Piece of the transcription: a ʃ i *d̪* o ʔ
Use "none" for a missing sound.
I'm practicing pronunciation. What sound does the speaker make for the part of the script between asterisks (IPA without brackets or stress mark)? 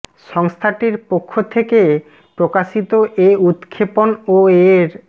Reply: t̪